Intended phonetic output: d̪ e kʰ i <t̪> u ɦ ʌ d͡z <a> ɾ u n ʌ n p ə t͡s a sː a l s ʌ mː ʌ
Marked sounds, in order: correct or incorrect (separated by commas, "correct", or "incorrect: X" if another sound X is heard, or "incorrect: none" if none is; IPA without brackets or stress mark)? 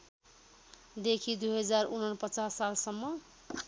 incorrect: d̪, correct